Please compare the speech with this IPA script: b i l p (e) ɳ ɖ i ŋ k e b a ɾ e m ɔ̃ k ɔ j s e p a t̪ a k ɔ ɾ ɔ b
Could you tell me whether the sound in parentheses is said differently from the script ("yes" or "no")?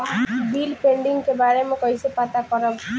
no